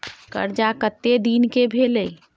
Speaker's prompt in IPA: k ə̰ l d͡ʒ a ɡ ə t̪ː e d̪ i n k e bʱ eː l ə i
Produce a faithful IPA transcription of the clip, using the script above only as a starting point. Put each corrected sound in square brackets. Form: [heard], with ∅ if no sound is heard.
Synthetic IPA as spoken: k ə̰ [ɾ] d͡ʒ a [k] ə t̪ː e d̪ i n k e bʱ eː l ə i